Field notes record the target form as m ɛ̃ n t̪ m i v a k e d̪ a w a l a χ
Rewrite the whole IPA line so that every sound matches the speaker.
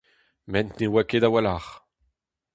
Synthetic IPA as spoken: m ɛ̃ n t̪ n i w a k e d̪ a w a l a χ